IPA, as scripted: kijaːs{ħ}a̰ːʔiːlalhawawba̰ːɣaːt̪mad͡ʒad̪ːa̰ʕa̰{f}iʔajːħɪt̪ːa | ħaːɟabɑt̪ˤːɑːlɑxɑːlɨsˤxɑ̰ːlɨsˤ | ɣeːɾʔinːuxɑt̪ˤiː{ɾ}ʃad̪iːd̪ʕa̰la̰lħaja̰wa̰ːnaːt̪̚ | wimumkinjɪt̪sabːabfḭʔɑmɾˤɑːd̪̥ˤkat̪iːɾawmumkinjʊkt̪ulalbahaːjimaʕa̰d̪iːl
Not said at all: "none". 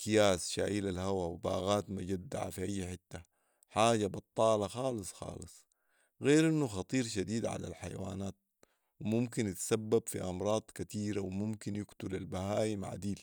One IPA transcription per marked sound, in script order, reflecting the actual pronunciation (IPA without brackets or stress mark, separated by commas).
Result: ʃ, f, ɾ